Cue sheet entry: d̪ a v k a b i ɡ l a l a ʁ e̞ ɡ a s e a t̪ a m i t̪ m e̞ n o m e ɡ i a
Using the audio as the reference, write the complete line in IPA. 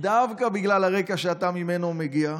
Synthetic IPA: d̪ a v k a b i ɡ l a l a ʁ e̞ k a ʃ e a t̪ a m i m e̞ n o m e ɡ i a